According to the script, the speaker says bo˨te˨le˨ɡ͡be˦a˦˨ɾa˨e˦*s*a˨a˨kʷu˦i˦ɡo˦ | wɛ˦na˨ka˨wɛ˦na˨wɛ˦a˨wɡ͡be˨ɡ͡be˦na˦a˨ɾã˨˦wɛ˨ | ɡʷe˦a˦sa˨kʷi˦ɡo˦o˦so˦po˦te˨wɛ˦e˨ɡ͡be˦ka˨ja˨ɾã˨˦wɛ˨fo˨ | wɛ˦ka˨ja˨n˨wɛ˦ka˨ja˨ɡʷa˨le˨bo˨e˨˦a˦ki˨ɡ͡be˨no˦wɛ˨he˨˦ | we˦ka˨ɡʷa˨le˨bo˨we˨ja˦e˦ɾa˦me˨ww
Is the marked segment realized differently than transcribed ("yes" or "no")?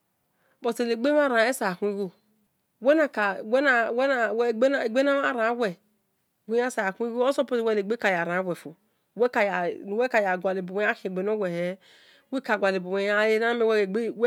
no